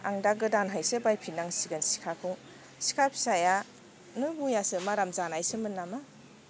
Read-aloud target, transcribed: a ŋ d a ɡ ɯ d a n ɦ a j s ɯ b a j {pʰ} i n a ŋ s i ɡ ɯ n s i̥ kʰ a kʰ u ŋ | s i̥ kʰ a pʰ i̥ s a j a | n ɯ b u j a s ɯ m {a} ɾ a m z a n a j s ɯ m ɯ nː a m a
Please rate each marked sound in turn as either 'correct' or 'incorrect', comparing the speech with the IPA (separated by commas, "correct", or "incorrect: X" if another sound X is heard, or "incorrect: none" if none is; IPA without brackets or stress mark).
correct, correct